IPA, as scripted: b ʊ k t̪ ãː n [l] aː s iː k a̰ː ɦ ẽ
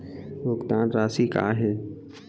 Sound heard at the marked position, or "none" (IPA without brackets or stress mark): ɾ